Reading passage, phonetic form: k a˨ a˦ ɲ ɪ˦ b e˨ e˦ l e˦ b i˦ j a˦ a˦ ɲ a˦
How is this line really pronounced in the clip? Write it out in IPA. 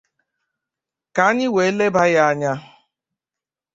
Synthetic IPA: k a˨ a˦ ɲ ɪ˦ w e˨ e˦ l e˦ b a˦ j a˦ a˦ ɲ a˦